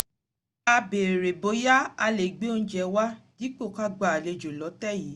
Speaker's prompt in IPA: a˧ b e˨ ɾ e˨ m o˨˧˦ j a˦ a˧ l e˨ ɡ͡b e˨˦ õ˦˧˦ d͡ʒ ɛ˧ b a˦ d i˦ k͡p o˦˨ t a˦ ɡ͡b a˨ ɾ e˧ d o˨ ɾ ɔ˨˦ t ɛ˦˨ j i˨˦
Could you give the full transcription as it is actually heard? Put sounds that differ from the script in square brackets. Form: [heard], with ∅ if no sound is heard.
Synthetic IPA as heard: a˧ b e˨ ɾ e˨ [b] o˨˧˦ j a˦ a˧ l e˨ ɡ͡b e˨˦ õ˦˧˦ d͡ʒ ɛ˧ [w] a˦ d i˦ k͡p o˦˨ [k] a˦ ɡ͡b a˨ [l] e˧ [d͡ʒ] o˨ [l] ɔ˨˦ t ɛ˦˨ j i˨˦